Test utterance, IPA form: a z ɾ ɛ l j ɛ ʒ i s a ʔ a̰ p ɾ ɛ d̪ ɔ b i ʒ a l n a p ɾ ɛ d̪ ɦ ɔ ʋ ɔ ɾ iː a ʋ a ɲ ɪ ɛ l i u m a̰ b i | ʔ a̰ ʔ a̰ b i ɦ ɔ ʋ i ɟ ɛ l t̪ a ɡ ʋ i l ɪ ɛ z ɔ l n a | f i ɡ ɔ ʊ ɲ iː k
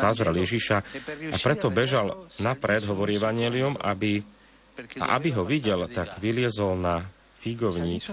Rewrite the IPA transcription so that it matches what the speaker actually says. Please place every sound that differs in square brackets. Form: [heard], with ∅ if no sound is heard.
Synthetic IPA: a z ɾ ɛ l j ɛ ʒ i [ʃ] a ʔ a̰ p ɾ ɛ [t̪] ɔ b [ɛ] ʒ a l n a p ɾ ɛ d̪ ɦ ɔ ʋ ɔ ɾ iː [ɛ] ʋ a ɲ ɪ ɛ l i u m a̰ b i | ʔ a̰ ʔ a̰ b i ɦ ɔ ʋ i ɟ ɛ l t̪ a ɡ ʋ i l ɪ ɛ z ɔ l n a | f i ɡ ɔ ʊ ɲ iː k